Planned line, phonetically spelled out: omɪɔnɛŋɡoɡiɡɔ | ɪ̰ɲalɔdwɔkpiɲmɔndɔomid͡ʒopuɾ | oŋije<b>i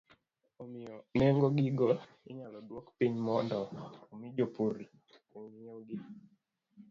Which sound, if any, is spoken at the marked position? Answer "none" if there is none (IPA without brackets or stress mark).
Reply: ɡ